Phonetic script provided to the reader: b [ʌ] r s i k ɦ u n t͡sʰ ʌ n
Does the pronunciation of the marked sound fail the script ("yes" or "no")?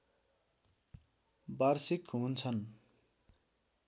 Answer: yes